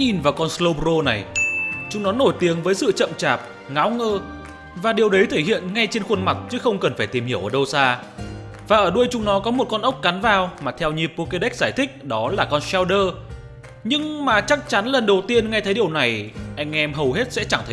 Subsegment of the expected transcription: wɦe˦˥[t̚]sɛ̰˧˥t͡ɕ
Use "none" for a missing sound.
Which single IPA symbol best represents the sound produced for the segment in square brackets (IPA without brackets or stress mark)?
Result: t̚